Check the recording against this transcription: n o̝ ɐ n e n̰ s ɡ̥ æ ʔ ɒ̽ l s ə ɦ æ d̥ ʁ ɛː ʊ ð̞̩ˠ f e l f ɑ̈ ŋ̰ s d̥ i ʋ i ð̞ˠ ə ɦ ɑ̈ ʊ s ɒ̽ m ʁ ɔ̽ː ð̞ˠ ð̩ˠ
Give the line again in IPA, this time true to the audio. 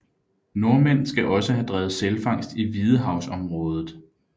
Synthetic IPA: n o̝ ɐ m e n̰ s ɡ̥ æ ʔ ɒ̽ s ə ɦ æ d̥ ʁ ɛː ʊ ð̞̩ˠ s e l f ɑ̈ ŋ̰ s d̥ i ʋ i ð̞ˠ ə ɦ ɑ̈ ʊ s ɒ̽ m ʁ ɔ̽ː ð̞ˠ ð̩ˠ

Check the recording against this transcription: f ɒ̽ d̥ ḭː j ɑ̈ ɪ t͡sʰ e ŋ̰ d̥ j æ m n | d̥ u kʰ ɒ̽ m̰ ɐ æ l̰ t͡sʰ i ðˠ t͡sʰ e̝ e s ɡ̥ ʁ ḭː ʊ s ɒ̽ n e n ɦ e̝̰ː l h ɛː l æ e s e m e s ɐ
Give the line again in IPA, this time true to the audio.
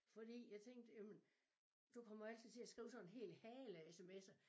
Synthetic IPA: f ɒ̽ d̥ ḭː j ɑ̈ ɪ t͡sʰ e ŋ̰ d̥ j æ m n | d̥ u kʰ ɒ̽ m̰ ɐ æ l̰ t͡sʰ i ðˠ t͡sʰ e̝ æ s ɡ̥ ʁ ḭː ʊ s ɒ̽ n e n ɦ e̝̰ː l h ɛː l æ e s e m e s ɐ

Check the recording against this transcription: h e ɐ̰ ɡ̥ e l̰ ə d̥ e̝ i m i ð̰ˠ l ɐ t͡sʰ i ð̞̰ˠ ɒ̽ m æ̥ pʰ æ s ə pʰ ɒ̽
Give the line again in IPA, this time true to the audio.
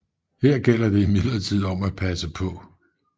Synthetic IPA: h e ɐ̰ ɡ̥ e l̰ ɐ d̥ e̝ i m i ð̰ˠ l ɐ t͡sʰ i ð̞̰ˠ ɒ̽ m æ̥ pʰ æ s ə pʰ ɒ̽

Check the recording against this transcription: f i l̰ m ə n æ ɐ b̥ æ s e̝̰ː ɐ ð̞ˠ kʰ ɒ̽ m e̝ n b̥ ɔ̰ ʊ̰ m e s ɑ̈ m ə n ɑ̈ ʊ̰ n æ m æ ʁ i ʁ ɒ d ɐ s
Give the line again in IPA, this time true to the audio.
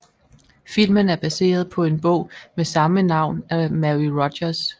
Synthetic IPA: f i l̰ m ə n æ ɐ b̥ æ s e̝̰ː ɐ ð̞ˠ pʰ ɒ̽ e̝ n b̥ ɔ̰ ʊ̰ m e s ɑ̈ m ə n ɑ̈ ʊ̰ n æ m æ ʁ i ʁ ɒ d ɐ s

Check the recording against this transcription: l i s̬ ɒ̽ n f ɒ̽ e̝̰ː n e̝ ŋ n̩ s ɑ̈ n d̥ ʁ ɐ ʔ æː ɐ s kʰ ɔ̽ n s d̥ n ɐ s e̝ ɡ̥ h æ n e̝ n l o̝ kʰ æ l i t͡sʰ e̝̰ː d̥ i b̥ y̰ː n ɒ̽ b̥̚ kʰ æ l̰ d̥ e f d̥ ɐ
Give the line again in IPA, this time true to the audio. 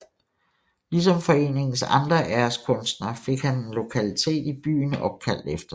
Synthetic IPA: l i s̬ ɒ̽ m f ɒ̽ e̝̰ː n e̝ ŋ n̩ s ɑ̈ n d̥ ʁ ɐ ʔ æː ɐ s kʰ ɔ̽ n s d̥ n ɐ f e̝ ɡ̥ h æ n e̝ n l o̝ kʰ æ l i t͡sʰ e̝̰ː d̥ i b̥ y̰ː n ɒ̽ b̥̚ kʰ æ l̰ d̥ e f d̥ ɐ

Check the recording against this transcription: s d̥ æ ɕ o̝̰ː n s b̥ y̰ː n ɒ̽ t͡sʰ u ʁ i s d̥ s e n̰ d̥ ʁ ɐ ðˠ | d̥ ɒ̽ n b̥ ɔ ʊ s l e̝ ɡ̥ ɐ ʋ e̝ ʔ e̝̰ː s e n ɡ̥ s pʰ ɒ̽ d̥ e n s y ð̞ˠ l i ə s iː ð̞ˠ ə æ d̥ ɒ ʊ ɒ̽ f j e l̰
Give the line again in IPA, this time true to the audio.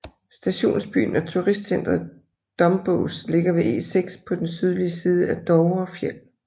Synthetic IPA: s d̥ æ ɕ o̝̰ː n s b̥ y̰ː n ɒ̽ t͡sʰ u ʁ i s d̥ s e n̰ d̥ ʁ ɐ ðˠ | d̥ ɒ̽ m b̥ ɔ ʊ s l e̝ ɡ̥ ɐ ʋ e̝ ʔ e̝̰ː s e ɡ̥ s pʰ ɒ̽ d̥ e n s y ð̞ˠ l i ə s iː ð̞ˠ ə æ d̥ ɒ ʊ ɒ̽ f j e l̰

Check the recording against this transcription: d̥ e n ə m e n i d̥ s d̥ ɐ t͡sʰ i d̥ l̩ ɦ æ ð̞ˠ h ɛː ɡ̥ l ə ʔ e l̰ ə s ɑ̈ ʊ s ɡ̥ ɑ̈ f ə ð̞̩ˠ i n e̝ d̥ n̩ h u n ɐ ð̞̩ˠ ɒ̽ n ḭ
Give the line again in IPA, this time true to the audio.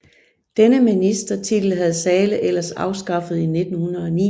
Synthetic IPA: d̥ e n ə m i n i s d̥ ɐ t͡sʰ i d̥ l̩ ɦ æ ð̞ˠ s ɛː l ə ʔ e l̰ ɐ s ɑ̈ ʊ s ɡ̥ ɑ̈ f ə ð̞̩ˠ i n e̝ d̥ n̩ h u n ɐ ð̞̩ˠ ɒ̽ n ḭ

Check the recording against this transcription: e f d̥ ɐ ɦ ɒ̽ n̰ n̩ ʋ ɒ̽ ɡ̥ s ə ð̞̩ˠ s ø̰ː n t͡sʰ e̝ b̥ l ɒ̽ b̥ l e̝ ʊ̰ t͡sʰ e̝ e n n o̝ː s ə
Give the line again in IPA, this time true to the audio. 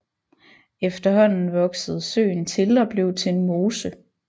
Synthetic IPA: e f d̥ ɐ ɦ ɒ̽ n̰ n̩ ʋ ɒ̽ ɡ̥ s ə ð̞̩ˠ s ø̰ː n t͡sʰ e̝ l ɒ̽ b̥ l e̝ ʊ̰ t͡sʰ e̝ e n m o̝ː s ə

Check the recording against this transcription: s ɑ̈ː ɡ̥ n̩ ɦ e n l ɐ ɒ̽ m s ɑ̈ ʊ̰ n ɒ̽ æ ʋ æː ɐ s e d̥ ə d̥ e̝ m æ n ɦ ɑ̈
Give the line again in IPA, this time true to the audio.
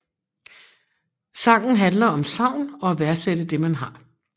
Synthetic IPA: s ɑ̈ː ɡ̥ n̩ ɦ æ n l ɐ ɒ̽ m s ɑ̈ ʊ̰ n ɒ̽ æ ʋ æ ɐ s e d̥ ə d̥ e̝ m æ n ɦ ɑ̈

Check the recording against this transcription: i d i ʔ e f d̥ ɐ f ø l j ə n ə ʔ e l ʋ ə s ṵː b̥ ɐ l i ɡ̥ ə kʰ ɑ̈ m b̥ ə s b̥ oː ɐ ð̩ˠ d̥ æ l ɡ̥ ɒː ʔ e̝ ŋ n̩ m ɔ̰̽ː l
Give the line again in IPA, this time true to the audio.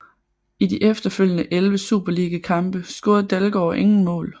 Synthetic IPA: i d i ʔ e f d̥ ɐ f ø l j ə n ə ʔ e l ʋ ə s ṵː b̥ ɐ l i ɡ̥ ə kʰ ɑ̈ m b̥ ə s ɡ̥ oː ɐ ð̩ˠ d̥ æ l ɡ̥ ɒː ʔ e̝ ŋ n̩ m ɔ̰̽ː l

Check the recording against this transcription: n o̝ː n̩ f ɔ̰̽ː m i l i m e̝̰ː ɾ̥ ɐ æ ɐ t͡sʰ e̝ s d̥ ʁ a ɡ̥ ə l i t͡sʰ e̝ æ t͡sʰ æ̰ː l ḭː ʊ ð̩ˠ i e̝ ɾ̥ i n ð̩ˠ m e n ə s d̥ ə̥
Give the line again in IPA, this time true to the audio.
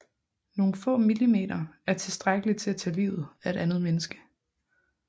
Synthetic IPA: n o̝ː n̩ f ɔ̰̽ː m i l i m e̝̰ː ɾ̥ ɐ æ ɐ t͡sʰ e̝ s d̥ ʁ a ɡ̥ ə l i t͡sʰ e̝ æ t͡sʰ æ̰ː l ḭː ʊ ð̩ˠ æ e̝ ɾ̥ æ n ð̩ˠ m e n ə s ɡ̥ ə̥

